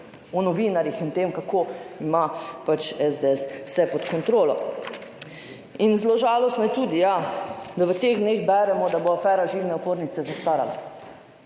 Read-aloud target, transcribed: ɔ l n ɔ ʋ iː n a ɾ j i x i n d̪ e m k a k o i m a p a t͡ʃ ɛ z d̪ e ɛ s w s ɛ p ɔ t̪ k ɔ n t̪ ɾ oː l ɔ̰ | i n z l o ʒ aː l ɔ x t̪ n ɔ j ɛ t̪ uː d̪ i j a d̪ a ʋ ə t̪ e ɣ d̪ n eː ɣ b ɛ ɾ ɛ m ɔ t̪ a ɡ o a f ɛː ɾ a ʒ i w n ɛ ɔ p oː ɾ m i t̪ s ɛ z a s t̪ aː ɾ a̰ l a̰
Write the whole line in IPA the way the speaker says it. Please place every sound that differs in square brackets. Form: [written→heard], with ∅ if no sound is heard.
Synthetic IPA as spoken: ɔ [l→∅] n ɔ ʋ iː n a ɾ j i x i n [d̪→t̪] e m k a k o i m a p a t͡ʃ ɛ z d̪ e ɛ s w s ɛ p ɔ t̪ k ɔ n t̪ ɾ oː l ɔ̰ | i n z l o ʒ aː l ɔ [x→s] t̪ n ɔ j ɛ t̪ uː d̪ i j a d̪ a ʋ ə t̪ e ɣ d̪ n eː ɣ b ɛ ɾ ɛ m ɔ [t̪→d̪] a [ɡ→b] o a f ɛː ɾ a ʒ i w n ɛ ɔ p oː ɾ [m→n] i t̪ s ɛ z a s t̪ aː ɾ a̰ l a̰